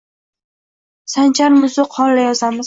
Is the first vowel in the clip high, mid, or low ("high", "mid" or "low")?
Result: low